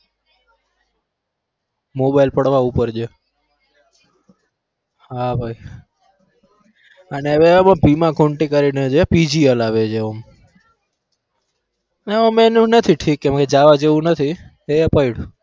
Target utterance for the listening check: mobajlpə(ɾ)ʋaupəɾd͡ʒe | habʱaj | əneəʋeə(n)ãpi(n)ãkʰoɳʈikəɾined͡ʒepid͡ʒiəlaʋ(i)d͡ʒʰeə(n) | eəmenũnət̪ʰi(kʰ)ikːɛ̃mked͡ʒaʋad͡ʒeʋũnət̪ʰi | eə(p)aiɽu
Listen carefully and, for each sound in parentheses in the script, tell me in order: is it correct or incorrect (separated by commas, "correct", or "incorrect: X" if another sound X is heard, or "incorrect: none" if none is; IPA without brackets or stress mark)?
incorrect: ɽ, incorrect: m, incorrect: m, incorrect: e, incorrect: m, incorrect: ʈʰ, correct